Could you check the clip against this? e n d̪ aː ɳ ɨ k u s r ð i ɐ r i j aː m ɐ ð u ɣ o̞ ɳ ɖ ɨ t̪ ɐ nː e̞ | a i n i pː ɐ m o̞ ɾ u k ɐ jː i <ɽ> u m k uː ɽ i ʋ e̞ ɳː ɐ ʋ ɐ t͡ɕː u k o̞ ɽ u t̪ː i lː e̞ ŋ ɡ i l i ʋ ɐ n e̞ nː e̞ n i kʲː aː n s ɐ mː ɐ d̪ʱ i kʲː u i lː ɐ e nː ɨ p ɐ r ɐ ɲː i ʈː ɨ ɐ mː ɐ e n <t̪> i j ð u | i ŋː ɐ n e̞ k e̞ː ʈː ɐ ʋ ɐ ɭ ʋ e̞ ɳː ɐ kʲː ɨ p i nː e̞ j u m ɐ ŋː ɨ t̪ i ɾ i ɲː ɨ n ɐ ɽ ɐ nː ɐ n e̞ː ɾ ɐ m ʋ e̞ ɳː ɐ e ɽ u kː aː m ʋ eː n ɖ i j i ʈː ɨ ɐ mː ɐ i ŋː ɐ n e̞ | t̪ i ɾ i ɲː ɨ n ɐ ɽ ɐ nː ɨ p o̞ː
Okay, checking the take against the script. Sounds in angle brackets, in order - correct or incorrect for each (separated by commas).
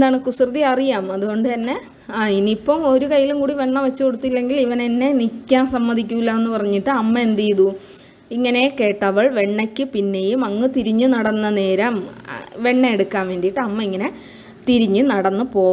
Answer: incorrect, incorrect